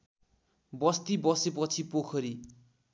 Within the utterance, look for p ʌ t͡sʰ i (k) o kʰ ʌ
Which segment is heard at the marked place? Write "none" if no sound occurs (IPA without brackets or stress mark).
p